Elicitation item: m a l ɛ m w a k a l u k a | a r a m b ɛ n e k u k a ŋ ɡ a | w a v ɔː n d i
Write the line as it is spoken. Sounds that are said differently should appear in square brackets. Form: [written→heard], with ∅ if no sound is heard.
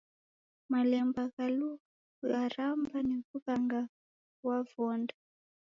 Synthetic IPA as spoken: m a l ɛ m [w→b] a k a l u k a | a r a m b [ɛ→a] n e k u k a ŋ ɡ a | w a v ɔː n d [i→a]